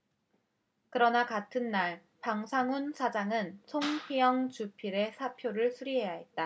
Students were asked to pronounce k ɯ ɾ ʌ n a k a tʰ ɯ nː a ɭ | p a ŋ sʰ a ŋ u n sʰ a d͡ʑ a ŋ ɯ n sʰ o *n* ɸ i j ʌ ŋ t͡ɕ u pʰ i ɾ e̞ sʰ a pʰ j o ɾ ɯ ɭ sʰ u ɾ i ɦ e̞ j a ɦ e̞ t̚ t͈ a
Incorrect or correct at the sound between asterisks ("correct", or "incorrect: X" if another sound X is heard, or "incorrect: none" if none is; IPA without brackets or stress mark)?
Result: incorrect: ŋ